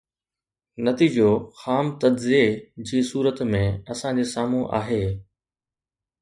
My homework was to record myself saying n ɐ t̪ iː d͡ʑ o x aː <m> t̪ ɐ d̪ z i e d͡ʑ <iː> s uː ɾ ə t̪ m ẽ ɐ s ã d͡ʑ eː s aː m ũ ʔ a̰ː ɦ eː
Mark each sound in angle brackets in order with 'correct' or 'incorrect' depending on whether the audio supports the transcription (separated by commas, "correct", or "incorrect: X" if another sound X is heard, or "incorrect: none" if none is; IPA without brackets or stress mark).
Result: correct, correct